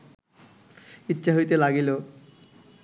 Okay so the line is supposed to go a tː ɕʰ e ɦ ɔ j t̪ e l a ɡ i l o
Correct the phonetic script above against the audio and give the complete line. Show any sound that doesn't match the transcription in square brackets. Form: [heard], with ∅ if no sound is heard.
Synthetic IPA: [i] tː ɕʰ [a] ɦ [o] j t̪ e l a ɡ i l o